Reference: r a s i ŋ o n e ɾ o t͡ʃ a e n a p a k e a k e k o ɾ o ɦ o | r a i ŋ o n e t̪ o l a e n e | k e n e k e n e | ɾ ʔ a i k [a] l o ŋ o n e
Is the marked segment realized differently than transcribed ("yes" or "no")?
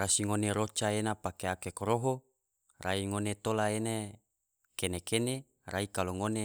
no